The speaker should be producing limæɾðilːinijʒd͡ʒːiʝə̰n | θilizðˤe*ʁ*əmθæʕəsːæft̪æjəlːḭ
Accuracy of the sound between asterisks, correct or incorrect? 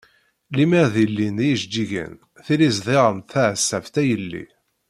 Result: correct